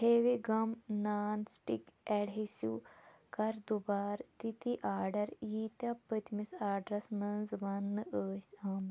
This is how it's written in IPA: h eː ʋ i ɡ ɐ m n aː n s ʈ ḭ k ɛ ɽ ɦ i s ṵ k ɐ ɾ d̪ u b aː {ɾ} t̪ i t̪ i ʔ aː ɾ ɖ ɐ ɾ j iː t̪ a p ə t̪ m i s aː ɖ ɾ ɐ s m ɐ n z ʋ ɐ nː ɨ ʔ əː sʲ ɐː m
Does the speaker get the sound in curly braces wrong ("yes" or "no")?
no